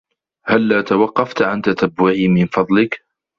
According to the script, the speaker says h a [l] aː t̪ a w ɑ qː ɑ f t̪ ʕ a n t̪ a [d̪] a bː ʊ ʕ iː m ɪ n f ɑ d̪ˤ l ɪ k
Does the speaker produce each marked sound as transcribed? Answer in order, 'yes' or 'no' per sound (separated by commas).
no, no